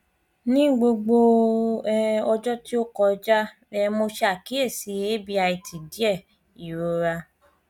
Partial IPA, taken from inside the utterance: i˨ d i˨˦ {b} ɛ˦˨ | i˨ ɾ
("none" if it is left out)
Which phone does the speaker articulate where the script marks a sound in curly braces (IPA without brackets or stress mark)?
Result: none